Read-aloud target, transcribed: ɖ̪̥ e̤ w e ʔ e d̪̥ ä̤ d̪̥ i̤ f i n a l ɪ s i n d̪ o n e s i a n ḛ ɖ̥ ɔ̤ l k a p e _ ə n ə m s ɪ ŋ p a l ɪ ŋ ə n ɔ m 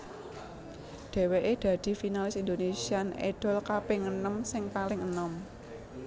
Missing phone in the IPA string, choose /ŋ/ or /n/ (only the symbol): ŋ